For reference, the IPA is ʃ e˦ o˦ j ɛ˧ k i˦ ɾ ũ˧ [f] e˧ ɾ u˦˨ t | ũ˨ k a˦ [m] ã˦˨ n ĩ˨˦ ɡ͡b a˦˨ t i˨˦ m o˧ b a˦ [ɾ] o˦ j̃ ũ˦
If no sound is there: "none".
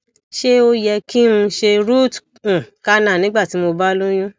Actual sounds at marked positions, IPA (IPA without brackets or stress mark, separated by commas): ʃ, n, l